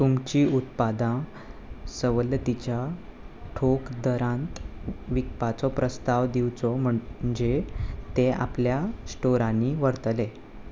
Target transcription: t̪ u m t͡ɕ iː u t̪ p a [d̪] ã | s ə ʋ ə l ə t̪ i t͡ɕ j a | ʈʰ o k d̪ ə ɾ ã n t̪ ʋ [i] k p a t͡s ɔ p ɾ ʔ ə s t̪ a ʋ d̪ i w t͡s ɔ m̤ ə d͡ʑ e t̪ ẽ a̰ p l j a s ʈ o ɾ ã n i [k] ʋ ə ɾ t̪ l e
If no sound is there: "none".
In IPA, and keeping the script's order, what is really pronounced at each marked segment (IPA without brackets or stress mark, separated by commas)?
d̪, i, none